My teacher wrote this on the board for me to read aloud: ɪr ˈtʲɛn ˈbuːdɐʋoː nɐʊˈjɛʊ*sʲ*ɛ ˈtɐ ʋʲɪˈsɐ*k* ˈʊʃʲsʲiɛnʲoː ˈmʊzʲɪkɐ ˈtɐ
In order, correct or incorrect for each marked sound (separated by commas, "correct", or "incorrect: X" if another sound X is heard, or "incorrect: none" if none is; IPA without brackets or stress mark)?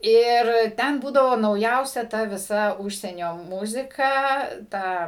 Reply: correct, incorrect: none